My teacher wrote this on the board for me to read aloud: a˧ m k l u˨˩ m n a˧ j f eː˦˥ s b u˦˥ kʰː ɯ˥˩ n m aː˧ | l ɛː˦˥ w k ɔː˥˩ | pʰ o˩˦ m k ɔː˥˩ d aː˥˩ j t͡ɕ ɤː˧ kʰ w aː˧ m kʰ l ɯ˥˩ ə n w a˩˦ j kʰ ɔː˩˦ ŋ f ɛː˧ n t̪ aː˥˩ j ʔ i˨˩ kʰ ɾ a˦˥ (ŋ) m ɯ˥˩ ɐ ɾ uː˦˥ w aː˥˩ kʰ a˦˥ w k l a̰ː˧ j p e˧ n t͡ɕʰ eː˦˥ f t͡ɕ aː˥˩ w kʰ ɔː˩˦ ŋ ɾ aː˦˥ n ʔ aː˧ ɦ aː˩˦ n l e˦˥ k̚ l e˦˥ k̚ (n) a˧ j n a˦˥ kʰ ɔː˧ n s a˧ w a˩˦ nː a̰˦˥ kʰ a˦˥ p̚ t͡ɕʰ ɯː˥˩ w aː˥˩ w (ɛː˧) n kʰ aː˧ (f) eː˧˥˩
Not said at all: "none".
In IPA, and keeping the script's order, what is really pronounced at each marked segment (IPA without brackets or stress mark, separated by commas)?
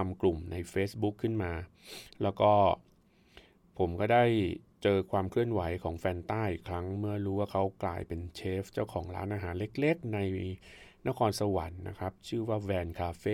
ŋ, n, ɛː˧, f